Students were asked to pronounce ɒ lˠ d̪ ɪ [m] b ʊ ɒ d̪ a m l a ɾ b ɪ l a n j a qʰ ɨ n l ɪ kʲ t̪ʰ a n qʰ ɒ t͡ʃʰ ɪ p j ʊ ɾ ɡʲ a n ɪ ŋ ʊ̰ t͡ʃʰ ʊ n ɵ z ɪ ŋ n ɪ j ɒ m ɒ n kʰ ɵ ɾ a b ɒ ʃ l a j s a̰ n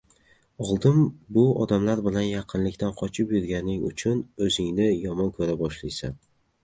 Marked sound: correct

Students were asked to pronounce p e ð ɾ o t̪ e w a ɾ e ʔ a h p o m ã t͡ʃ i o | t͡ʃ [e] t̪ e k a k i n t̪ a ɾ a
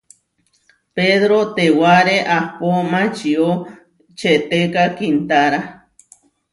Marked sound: correct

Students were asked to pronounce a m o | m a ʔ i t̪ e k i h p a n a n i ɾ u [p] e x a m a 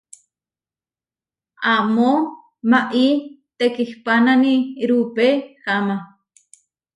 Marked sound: correct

